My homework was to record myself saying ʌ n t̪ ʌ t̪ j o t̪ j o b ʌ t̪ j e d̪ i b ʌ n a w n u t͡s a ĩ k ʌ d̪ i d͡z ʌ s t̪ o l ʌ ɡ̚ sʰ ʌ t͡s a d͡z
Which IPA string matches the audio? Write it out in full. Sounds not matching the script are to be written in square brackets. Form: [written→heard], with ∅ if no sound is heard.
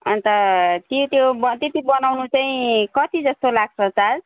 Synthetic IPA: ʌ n t̪ ʌ t̪ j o t̪ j o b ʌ t̪ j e [d̪→t̪] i b ʌ n a w n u t͡s a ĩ k ʌ [d̪→t̪] i d͡z ʌ s t̪ o l [ʌ→a] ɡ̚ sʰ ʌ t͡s a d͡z

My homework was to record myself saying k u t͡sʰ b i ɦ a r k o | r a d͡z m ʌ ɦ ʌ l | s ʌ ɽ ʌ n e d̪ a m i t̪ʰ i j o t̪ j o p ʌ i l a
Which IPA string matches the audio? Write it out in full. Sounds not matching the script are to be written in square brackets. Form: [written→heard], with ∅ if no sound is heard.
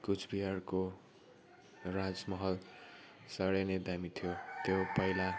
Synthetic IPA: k u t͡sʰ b i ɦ a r k o | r a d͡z m ʌ ɦ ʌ l | s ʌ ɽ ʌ n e d̪ a m i t̪ʰ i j o t̪ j o p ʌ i l a

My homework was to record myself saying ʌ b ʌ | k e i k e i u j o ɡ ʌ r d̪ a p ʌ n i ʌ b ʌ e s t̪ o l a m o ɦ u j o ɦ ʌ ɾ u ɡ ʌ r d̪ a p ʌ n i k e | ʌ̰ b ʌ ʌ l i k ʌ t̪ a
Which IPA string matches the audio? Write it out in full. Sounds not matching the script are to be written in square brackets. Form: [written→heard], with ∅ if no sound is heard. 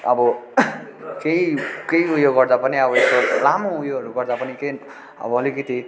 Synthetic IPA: ʌ b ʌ | k e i k e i u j o ɡ ʌ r d̪ a p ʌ n i ʌ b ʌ e s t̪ o l a m o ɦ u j o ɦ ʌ ɾ u ɡ ʌ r d̪ a p ʌ n i k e | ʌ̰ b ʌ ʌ l i k ʌ t̪ [a→i]

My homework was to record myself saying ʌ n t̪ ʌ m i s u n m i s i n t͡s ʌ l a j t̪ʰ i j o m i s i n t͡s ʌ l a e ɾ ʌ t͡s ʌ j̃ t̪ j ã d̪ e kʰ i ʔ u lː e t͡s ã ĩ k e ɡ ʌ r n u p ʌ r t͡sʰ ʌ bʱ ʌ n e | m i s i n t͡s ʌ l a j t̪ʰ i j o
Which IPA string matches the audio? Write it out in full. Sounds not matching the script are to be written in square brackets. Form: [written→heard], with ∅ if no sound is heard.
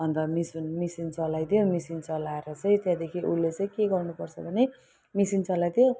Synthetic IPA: ʌ n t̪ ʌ m i s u n m i s i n t͡s ʌ l a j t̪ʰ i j o m i s i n t͡s ʌ l a e ɾ ʌ t͡s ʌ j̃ t̪ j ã d̪ e kʰ i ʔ u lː e t͡s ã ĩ k e ɡ ʌ r n u p ʌ r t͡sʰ ʌ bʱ ʌ n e | m i s i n t͡s ʌ l a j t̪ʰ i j o

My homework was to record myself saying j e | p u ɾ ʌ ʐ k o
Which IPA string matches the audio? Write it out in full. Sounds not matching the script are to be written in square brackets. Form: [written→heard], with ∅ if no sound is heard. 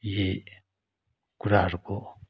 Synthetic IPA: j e | [p→k] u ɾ [ʌ→a] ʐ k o

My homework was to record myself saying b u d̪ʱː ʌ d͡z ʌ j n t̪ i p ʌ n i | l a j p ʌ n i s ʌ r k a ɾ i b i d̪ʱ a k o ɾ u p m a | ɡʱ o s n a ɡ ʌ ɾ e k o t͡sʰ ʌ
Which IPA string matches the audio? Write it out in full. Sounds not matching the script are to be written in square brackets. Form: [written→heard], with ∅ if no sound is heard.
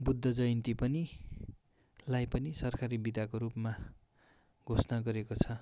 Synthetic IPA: b u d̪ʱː ʌ d͡z ʌ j n t̪ i p ʌ n i | l a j p ʌ n i s ʌ r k a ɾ i b i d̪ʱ a k o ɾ u p m a | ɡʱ o s n a ɡ ʌ ɾ e k o t͡sʰ ʌ

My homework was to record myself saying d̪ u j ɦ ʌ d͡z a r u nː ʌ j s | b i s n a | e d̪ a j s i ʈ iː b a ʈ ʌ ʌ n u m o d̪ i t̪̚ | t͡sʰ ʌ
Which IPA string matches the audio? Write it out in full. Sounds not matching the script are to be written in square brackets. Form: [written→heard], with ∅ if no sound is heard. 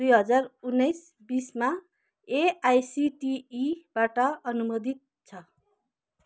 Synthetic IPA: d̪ u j ɦ ʌ d͡z a r u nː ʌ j s | b i s [n→m] a | e [d̪→∅] a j s i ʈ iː b a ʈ ʌ ʌ n u m o d̪ i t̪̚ | t͡sʰ ʌ

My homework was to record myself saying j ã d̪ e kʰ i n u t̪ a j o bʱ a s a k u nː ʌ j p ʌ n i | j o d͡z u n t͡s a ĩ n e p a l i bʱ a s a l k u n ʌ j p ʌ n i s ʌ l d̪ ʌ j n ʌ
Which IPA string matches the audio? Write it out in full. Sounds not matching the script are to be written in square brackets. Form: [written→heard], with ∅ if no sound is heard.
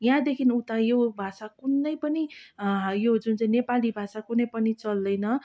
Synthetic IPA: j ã d̪ e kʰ i n u t̪ a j o bʱ a s a k u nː ʌ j p ʌ n i | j o d͡z u n t͡s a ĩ n e p a l i bʱ a s a [l→∅] k u n ʌ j p ʌ n i [s→t͡s] ʌ l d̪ ʌ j n ʌ

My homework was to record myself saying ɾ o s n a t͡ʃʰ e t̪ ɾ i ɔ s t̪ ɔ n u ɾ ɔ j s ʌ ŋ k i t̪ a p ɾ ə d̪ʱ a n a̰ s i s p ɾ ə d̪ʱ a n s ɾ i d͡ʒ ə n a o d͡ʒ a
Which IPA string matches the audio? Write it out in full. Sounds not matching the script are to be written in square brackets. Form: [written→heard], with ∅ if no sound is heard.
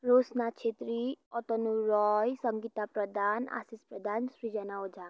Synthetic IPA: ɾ o s n a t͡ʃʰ e t̪ ɾ i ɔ [s→∅] t̪ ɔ n u ɾ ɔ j s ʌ ŋ [k→ɡ] i t̪ a p ɾ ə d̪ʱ a n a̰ s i s p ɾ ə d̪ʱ a n s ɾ i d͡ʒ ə n a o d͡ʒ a

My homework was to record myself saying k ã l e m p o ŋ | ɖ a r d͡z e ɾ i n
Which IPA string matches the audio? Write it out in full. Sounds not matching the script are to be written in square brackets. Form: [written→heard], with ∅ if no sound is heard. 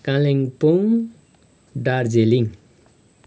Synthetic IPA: k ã l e [m→ŋ] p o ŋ | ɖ a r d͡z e [ɾ→l] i [n→ŋ]

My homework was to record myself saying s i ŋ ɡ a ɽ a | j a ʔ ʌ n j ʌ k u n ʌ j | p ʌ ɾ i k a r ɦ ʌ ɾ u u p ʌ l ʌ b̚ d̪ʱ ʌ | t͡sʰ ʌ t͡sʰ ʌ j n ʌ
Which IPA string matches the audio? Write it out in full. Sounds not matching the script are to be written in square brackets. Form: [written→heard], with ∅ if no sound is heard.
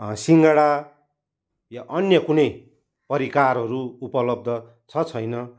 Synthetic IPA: s i ŋ ɡ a ɽ a | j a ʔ ʌ n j ʌ k u n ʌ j | p ʌ ɾ i k a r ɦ ʌ ɾ u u p ʌ l ʌ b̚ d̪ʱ ʌ | t͡sʰ ʌ t͡sʰ ʌ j n ʌ

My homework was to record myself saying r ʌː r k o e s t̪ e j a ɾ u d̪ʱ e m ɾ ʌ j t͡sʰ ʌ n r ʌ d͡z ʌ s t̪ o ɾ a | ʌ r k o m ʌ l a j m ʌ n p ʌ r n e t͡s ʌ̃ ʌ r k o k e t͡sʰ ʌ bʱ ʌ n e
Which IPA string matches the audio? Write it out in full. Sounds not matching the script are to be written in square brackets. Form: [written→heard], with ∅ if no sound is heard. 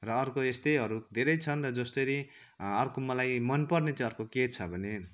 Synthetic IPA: r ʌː r k o e s t̪ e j [a→ʌ] ɾ u d̪ʱ e [m→∅] ɾ ʌ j t͡sʰ ʌ n r ʌ d͡z ʌ s t̪ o ɾ [a→i] | ʌ r k o m ʌ l a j m ʌ n p ʌ r n e t͡s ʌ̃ ʌ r k o k e t͡sʰ ʌ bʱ ʌ n e

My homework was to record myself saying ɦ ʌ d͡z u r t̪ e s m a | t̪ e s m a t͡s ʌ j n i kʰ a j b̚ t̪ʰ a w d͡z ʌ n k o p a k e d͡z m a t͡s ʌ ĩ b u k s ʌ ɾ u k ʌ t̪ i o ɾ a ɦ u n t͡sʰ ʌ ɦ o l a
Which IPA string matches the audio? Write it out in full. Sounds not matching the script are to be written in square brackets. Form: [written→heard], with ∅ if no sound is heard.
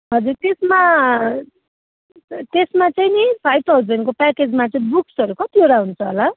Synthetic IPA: ɦ ʌ d͡z u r t̪ e s m a | t̪ e s m a t͡s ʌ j n i [kʰ→pʰ] a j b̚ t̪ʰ a w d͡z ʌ n k o p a k e d͡z m a t͡s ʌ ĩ b u k s ʌ ɾ u k ʌ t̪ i o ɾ a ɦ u n t͡sʰ ʌ ɦ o l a

